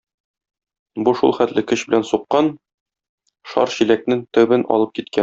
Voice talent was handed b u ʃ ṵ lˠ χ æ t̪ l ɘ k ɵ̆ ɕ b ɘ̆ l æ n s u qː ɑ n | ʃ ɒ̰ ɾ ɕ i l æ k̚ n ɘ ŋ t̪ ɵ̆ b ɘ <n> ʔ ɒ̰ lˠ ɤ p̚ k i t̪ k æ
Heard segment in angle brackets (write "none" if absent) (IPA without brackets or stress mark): n